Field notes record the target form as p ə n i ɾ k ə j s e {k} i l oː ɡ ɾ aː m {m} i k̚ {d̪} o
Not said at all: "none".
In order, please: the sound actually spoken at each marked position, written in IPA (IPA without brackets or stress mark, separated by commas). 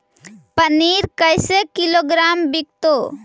k, b, t̪